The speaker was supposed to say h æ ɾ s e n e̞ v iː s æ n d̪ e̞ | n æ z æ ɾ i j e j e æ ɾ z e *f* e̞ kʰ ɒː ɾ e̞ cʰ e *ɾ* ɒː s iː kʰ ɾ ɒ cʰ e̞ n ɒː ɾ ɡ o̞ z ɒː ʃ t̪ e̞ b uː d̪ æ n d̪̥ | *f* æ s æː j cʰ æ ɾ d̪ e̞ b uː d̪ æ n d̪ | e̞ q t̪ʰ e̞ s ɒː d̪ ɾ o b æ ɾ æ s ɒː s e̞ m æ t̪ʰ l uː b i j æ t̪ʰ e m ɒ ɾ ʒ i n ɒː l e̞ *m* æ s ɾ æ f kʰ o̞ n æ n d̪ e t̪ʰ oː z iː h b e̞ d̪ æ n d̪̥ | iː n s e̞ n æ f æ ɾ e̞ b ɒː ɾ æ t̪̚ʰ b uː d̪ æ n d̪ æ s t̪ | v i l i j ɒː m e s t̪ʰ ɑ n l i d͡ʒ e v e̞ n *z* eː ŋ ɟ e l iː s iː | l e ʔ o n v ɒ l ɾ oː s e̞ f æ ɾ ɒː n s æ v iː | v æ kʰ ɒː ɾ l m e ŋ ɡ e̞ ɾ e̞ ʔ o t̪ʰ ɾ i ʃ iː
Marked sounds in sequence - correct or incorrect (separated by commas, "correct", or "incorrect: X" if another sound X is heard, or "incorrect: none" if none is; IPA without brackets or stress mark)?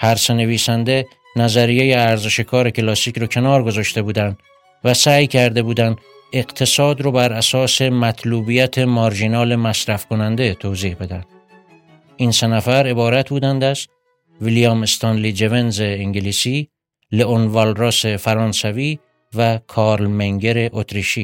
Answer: incorrect: ʃ, incorrect: l, incorrect: v, correct, correct